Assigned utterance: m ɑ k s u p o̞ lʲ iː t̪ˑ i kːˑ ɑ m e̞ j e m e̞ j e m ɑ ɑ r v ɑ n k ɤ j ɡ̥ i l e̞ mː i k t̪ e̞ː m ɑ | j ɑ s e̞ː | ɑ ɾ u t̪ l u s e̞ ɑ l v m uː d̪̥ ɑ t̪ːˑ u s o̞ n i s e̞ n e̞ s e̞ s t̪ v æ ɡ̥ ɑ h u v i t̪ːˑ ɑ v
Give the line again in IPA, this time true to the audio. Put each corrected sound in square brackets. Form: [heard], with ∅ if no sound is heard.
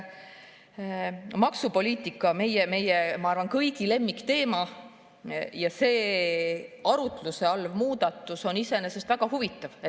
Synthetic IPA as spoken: m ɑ k s u p o̞ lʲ iː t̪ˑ i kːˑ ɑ m e̞ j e m e̞ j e m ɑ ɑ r v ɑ n k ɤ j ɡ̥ i l e̞ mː i k t̪ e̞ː m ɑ | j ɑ s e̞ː | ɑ ɾ u t̪ l u s e̞ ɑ l v m uː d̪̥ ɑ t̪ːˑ u s o̞ n i s e̞ n e̞ s e̞ s t̪ v æ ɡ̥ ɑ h u v i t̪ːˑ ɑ v